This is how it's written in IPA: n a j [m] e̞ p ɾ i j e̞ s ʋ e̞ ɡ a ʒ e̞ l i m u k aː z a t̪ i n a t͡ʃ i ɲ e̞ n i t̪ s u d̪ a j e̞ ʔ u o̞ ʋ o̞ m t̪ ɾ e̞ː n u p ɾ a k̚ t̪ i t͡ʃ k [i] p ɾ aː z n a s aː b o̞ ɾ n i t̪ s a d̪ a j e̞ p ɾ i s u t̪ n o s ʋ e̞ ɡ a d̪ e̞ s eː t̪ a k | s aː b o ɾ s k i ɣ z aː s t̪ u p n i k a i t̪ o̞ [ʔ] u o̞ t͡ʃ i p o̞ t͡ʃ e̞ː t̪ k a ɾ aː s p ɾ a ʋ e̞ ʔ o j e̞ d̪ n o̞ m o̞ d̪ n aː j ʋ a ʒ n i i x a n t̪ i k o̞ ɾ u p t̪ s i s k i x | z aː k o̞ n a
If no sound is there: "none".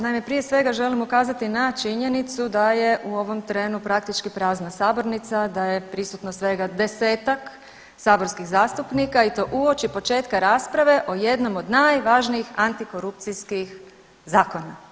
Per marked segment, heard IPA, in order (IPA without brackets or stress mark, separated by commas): m, i, ʔ